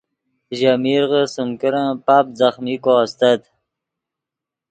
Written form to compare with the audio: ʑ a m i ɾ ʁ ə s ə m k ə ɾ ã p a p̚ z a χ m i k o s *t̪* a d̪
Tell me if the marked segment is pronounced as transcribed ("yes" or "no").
yes